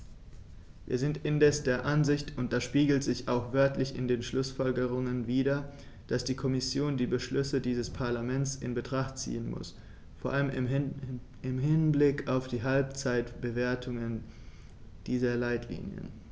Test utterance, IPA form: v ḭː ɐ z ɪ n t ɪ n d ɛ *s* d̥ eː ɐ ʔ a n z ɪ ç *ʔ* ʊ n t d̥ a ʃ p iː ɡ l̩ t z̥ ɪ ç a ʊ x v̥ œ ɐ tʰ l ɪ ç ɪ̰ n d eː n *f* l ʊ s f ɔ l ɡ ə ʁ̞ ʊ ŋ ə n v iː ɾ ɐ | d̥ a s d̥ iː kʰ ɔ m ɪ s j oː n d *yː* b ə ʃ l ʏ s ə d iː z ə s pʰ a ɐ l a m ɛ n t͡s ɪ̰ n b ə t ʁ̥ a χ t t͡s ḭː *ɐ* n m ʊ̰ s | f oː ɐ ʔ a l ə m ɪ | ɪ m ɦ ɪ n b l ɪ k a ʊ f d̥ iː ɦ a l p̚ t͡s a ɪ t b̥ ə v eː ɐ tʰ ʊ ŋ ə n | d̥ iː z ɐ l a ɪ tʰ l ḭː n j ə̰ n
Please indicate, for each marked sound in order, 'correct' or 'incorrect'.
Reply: correct, incorrect: t, incorrect: ʃ, incorrect: iː, incorrect: ə

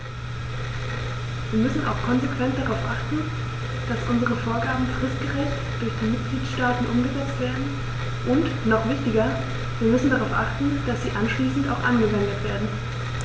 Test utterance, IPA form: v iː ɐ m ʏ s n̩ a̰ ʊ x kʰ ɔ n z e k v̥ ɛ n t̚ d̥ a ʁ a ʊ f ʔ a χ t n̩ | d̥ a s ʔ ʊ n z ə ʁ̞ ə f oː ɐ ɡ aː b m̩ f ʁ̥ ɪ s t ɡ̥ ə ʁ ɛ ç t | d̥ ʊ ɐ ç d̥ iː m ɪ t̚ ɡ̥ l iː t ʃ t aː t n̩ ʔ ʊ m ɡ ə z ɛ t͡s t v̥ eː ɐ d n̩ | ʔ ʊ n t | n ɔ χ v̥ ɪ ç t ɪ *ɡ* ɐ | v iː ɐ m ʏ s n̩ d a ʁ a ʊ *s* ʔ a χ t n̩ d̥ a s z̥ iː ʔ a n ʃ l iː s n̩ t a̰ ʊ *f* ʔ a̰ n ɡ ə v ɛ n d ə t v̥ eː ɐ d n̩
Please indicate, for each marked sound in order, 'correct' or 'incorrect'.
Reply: correct, incorrect: f, incorrect: x

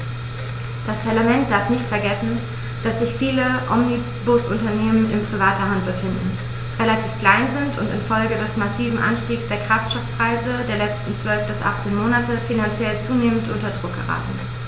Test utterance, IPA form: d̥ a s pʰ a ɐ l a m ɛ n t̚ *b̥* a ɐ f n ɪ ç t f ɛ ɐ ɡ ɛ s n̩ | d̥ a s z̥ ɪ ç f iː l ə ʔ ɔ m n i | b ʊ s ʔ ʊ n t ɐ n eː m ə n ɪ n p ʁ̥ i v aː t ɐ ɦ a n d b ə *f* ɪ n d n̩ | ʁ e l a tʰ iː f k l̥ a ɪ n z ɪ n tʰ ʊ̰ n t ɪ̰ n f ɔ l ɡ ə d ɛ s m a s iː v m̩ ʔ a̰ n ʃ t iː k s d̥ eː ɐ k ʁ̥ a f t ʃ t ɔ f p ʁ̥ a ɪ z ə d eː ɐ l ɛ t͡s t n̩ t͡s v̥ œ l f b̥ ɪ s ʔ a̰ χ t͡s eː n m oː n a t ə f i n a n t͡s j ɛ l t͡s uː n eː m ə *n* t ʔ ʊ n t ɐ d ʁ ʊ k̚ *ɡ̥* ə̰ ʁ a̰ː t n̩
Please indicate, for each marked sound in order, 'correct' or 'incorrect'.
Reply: incorrect: d̥, correct, correct, correct

